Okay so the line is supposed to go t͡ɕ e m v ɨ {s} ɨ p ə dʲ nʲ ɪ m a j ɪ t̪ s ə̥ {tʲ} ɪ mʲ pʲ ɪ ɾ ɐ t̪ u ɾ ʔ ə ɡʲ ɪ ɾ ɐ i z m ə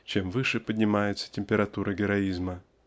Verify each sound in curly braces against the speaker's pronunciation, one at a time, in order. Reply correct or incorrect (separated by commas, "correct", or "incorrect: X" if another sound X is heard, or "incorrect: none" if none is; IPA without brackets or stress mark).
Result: incorrect: ʂ, correct